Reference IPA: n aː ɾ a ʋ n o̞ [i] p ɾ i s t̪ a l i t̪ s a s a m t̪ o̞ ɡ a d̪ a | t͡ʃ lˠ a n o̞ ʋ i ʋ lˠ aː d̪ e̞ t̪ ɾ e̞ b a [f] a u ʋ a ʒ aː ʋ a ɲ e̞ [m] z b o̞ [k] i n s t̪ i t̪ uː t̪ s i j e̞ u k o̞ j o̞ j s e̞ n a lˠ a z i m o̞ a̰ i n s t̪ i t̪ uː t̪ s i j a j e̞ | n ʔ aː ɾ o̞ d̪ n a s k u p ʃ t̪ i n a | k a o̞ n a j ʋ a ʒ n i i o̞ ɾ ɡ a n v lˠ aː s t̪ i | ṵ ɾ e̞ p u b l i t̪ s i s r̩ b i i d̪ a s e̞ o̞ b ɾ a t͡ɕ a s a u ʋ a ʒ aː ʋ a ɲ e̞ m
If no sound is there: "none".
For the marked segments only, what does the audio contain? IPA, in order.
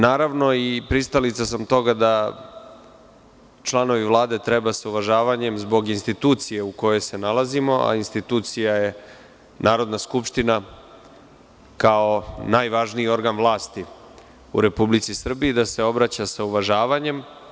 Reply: i, s, m, ɡ

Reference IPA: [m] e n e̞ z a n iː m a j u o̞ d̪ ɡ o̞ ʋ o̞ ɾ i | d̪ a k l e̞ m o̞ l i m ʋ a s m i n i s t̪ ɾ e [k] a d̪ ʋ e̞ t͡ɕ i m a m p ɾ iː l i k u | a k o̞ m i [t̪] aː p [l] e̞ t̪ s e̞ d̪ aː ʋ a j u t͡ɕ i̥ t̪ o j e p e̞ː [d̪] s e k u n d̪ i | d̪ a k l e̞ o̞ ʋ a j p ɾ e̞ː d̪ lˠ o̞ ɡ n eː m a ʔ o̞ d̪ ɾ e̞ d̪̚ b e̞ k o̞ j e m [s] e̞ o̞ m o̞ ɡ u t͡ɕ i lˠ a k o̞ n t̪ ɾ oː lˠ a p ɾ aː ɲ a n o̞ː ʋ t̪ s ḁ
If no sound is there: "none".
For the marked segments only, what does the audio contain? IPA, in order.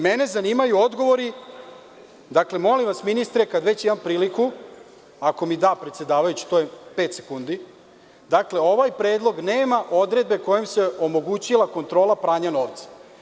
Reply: m, k, d̪, ɾ, t̪, s

